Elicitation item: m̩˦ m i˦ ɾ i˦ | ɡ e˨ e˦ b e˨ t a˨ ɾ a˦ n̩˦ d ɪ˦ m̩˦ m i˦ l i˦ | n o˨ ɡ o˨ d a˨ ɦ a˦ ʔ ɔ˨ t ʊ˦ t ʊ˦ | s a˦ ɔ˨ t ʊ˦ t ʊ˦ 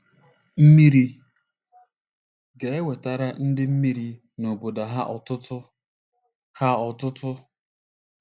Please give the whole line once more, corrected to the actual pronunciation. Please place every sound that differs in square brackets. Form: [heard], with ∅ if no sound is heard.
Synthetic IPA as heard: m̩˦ m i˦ ɾ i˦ | ɡ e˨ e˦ [w] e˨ t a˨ ɾ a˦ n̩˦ d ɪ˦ m̩˦ m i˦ [ɾ] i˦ | n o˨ [b] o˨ d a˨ ɦ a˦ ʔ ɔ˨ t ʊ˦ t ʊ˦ | [h] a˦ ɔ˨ t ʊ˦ t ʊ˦